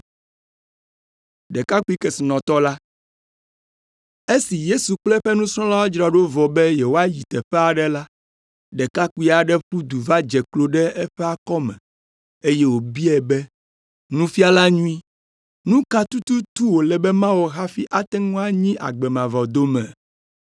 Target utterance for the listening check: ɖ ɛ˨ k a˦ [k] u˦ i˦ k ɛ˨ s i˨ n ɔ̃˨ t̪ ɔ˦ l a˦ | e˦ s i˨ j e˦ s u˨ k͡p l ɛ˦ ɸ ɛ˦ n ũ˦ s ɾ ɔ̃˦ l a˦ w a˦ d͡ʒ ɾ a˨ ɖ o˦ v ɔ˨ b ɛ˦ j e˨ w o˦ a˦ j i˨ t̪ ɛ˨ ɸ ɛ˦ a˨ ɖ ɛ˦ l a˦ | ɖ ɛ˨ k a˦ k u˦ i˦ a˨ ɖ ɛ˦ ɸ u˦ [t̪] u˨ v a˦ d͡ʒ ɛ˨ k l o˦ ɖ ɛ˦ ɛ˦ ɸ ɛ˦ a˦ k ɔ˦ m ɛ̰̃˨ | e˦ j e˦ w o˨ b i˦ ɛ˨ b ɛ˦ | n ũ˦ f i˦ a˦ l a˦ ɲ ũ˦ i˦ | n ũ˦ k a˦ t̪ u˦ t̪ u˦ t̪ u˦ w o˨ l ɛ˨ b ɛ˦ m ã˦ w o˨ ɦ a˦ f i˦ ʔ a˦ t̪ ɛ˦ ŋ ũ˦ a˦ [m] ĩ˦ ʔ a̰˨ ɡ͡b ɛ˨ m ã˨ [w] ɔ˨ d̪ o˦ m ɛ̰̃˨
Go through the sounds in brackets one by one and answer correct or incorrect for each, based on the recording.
correct, incorrect, incorrect, incorrect

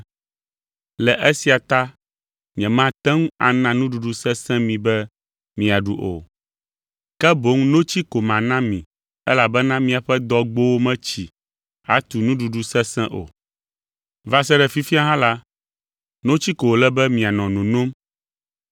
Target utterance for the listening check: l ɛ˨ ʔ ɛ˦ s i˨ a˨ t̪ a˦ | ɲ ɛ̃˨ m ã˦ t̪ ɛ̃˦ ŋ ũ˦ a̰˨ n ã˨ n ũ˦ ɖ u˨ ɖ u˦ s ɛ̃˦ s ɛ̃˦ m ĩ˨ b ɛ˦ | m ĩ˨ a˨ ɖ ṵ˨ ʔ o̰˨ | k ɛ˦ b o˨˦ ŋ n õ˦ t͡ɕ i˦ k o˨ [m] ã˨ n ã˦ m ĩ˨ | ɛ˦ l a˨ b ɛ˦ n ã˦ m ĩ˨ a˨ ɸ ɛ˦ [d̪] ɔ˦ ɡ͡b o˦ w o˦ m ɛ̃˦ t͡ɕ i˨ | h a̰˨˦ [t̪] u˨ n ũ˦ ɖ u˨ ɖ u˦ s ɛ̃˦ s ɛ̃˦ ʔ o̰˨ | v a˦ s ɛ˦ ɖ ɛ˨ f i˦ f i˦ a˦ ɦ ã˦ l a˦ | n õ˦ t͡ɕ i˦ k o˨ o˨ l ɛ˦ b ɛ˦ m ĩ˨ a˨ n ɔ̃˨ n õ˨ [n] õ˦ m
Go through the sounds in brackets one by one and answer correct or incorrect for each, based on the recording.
correct, correct, correct, correct

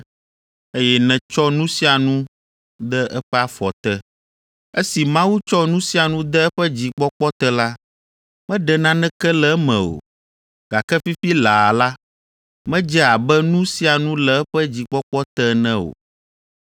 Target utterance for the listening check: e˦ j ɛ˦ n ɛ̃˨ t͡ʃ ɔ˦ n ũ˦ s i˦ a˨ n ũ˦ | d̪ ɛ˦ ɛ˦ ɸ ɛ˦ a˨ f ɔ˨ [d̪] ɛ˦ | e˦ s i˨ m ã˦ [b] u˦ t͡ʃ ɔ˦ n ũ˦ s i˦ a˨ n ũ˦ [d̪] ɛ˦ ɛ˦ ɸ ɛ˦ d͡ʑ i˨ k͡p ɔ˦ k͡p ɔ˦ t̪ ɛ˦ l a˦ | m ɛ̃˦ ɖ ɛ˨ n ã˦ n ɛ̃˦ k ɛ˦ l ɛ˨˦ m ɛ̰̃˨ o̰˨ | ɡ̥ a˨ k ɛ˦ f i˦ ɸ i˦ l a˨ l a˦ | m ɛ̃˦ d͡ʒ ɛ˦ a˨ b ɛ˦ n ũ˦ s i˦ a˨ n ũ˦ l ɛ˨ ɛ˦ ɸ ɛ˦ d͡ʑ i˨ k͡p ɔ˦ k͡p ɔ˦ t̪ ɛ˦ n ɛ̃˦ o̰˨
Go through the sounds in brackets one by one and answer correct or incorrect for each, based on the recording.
incorrect, incorrect, correct

